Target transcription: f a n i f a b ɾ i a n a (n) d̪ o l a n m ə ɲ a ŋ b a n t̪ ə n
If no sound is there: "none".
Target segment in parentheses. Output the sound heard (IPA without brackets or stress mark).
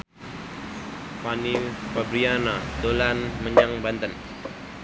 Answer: none